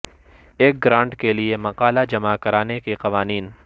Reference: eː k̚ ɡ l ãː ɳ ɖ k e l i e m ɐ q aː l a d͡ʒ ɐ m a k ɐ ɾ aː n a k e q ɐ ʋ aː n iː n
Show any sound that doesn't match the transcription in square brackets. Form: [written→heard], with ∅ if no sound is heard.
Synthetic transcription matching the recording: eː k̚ ɡ [l→ɾ] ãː ɳ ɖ k e l i e m ɐ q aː l a d͡ʒ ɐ m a k ɐ ɾ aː n [a→e] k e q ɐ ʋ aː n iː n

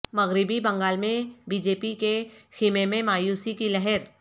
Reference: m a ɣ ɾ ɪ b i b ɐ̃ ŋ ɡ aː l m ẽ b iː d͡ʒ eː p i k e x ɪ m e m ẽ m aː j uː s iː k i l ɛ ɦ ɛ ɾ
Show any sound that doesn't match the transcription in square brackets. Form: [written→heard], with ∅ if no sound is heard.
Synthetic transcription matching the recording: m [a→ɐ] ɣ ɾ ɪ b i b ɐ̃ ŋ ɡ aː l m ẽ b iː d͡ʒ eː p i k e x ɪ m e m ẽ m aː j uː s [iː→i] k i l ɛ ɦ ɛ ɾ

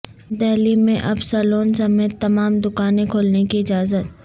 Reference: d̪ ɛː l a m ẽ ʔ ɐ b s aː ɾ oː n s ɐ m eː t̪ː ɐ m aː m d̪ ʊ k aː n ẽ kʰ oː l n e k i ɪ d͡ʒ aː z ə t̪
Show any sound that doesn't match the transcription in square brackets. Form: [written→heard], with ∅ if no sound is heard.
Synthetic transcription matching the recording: d̪ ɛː l [a→i] m ẽ ʔ ɐ b s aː [ɾ→l] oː n s ɐ m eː t̪ː ɐ m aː m d̪ ʊ k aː n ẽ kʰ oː l n e k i ɪ d͡ʒ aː z ə t̪

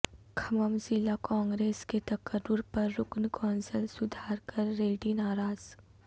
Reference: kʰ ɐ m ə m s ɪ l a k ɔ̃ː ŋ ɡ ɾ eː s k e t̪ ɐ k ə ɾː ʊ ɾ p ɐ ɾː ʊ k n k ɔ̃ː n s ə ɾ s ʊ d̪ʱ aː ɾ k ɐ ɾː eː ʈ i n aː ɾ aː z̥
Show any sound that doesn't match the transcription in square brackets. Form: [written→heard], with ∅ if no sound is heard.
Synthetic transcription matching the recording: kʰ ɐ m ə m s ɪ l a k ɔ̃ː ŋ ɡ ɾ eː s k e t̪ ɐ k ə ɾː ʊ ɾ p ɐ ɾː ʊ k n k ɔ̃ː n s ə [ɾ→l] s ʊ d̪ʱ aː ɾ k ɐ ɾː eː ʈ i n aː ɾ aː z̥

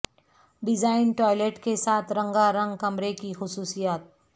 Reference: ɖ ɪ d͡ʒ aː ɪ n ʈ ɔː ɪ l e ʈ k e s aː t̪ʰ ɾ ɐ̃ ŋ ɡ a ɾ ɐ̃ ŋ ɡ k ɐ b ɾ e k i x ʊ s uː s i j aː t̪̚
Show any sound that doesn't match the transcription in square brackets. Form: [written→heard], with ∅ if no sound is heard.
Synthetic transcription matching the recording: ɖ ɪ d͡ʒ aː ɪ n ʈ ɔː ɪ l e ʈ k e s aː t̪ʰ ɾ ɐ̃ ŋ ɡ a ɾ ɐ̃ ŋ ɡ k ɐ [b→m] ɾ e k i x ʊ s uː s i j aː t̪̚

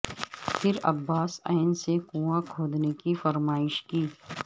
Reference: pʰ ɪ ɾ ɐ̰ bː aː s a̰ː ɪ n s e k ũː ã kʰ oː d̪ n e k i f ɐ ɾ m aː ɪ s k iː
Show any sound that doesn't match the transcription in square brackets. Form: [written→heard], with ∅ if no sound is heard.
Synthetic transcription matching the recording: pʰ ɪ ɾ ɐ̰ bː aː s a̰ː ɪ n s e k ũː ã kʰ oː d̪ n e k i f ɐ ɾ m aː ɪ [s→ʃ] k iː

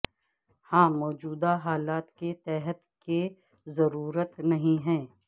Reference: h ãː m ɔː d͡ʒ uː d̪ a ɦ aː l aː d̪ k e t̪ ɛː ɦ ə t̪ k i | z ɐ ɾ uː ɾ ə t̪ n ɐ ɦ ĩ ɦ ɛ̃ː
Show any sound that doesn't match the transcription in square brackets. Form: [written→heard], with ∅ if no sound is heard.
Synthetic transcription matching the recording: h ãː m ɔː d͡ʒ uː d̪ a ɦ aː l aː [d̪→t̪] k e t̪ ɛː ɦ ə t̪ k [i→e] | z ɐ ɾ uː ɾ ə t̪ n ɐ ɦ ĩ ɦ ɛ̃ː

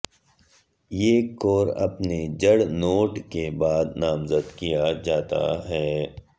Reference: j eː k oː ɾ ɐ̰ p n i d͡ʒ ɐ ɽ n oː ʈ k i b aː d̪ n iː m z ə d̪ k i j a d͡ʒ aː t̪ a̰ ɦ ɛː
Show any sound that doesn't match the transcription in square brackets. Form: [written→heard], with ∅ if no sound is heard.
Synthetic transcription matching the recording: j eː k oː ɾ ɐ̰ p n [i→e] d͡ʒ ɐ ɽ n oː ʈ k [i→e] b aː d̪ n [iː→aː] m z ə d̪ k i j a d͡ʒ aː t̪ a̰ ɦ ɛː

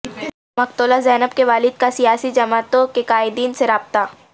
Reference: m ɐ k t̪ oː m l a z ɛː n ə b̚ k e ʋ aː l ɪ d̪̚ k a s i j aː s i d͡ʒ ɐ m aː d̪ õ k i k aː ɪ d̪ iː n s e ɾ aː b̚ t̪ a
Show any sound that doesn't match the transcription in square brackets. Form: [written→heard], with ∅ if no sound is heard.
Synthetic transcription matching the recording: m ɐ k t̪ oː [m→∅] l a z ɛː n ə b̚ k e ʋ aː l ɪ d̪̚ k a s i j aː s i d͡ʒ ɐ m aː [d̪→t̪] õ k [i→e] k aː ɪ d̪ iː n s e ɾ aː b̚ t̪ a

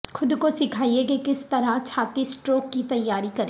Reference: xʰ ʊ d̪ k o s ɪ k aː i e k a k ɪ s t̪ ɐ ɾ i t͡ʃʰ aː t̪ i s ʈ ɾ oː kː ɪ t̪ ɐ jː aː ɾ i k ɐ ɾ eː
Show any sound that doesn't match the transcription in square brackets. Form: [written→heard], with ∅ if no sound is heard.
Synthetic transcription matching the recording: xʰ ʊ d̪ k o s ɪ [k→kʰ] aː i e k [a→e] k ɪ s t̪ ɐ ɾ [i→a] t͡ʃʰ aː t̪ i s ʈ ɾ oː kː [ɪ→i] t̪ ɐ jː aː ɾ i k ɐ ɾ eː

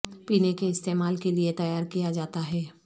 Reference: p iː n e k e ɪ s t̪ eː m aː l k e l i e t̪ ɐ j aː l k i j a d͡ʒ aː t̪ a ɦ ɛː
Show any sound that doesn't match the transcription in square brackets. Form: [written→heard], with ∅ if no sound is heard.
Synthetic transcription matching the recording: p iː n e k e ɪ s t̪ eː m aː l k e l i e t̪ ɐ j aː [l→ɾ] k i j a d͡ʒ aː t̪ a ɦ ɛː

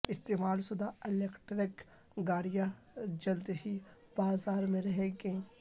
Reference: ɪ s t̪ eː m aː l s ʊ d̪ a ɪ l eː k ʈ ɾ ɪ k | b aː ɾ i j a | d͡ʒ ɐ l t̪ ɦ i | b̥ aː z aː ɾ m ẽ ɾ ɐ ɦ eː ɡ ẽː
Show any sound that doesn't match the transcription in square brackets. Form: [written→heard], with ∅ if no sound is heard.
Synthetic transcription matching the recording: ɪ s t̪ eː m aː l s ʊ d̪ a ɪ l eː k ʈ ɾ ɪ k | [b→ɡ] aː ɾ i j a | d͡ʒ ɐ l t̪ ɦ i | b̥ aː z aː ɾ m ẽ ɾ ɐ ɦ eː ɡ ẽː

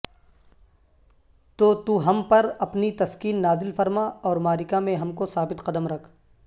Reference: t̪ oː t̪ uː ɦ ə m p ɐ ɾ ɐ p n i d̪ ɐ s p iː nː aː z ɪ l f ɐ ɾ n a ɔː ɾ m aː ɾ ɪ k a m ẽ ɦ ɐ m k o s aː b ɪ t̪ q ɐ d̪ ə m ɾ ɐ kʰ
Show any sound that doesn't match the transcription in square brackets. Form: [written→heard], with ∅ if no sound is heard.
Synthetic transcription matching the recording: t̪ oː t̪ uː ɦ [ə→ɐ] m p ɐ ɾ ɐ p n i [d̪→t̪] ɐ s [p→k] iː nː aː z ɪ l f ɐ ɾ [n→m] a ɔː ɾ m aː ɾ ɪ k a m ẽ ɦ ɐ m k o s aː b ɪ t̪ q ɐ d̪ ə m ɾ ɐ kʰ

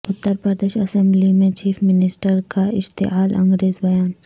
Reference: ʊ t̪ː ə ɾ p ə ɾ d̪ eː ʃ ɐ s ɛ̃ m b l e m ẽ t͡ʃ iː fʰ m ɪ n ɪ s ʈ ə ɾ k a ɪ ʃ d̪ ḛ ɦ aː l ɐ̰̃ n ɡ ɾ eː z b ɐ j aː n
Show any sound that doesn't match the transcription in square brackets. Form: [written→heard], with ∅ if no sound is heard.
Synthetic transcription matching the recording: ʊ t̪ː ə ɾ p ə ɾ d̪ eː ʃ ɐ s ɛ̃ m b l [e→i] m ẽ t͡ʃ iː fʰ m ɪ n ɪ s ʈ ə ɾ k a ɪ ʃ [d̪→t̪] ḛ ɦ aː l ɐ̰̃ [n→ŋ] ɡ ɾ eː z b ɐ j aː n

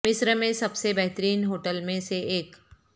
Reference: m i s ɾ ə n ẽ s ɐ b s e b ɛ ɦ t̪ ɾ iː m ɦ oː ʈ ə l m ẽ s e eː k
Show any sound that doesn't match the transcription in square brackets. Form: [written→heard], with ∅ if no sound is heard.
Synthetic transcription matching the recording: m [i→ɪ] s ɾ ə [n→m] ẽ s ɐ b s e b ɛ ɦ t̪ ɾ iː [m→n] ɦ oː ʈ ə l m ẽ s e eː k

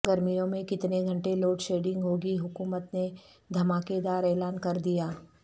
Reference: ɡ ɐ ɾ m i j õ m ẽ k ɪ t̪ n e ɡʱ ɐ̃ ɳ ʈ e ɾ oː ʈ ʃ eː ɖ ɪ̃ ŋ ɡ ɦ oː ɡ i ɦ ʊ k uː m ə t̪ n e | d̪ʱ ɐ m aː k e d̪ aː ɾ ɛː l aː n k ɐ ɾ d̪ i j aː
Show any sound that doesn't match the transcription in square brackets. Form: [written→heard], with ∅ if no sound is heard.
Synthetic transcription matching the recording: ɡ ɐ ɾ m i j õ m ẽ k ɪ t̪ n e ɡʱ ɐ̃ ɳ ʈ e [ɾ→l] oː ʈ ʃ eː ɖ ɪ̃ ŋ ɡ ɦ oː ɡ i ɦ ʊ k uː m ə t̪ n e | d̪ʱ ɐ m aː k e d̪ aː ɾ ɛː l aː n k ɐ ɾ d̪ i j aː

